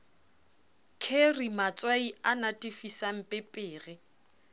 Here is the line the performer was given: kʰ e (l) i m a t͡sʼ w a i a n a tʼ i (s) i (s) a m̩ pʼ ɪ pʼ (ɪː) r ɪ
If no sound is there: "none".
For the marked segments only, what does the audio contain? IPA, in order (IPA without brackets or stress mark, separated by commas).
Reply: r, f, s, ɪː